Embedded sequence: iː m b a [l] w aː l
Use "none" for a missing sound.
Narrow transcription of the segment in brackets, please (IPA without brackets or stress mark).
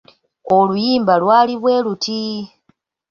l